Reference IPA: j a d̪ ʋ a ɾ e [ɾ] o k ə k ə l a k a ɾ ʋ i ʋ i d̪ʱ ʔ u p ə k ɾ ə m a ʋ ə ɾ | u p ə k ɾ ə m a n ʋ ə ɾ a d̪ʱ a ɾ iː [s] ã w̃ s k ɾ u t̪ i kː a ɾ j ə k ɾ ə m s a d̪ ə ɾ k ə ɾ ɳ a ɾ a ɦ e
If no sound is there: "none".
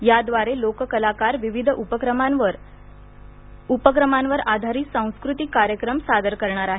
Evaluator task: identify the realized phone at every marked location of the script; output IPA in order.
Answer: l, s

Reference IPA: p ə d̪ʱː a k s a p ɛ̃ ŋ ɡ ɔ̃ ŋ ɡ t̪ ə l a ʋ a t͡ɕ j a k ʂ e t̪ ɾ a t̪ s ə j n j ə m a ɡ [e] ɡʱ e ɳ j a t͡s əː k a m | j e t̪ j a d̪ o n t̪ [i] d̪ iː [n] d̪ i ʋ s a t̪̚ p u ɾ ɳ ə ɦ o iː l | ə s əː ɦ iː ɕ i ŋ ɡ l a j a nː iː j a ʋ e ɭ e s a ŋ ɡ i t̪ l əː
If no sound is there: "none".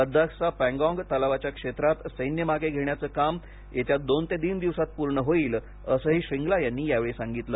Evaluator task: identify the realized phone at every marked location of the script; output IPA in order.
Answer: e, e, n

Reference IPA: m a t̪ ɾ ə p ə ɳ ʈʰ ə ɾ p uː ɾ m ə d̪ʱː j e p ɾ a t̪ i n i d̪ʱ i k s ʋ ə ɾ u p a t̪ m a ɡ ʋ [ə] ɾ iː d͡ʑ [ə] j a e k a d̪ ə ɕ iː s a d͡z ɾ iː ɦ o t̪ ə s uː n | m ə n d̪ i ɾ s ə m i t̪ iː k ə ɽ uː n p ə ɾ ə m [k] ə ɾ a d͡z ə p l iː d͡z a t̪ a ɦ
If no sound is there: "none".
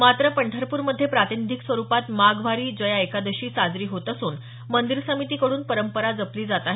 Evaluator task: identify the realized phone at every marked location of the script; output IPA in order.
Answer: a, ə, p

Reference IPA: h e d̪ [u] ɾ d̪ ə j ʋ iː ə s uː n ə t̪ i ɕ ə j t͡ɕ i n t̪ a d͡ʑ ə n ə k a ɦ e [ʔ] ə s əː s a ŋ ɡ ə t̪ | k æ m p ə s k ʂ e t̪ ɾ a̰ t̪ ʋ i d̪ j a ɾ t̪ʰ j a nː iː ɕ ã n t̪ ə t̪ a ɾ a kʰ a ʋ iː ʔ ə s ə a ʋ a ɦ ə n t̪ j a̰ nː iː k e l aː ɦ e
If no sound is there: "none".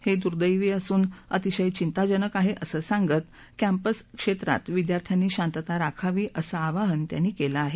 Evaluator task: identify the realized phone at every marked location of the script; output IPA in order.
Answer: u, ʔ

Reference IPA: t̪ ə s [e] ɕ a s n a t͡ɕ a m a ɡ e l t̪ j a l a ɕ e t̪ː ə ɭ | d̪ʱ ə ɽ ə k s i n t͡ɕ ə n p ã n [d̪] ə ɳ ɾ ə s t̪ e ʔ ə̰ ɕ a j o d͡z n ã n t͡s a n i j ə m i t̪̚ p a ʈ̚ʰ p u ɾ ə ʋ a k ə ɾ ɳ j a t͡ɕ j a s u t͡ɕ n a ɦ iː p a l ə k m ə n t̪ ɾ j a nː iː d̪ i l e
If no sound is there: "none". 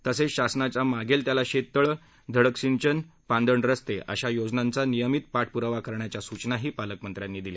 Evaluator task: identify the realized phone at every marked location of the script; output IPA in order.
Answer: e, d̪

